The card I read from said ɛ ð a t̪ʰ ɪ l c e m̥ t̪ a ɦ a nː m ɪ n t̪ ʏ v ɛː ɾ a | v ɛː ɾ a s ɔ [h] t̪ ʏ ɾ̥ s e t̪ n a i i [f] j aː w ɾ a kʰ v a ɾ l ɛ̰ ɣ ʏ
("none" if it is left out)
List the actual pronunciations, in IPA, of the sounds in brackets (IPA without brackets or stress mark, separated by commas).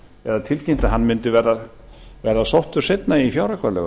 h, f